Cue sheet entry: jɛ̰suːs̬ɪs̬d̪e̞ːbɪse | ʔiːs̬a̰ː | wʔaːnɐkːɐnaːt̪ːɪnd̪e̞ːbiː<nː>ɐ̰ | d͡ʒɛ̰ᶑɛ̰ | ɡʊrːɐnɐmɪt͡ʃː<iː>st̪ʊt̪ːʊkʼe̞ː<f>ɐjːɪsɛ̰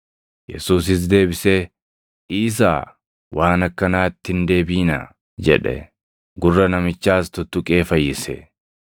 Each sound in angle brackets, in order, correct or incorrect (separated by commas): incorrect, incorrect, correct